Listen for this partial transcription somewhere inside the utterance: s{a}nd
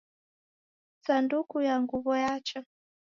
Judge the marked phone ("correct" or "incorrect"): correct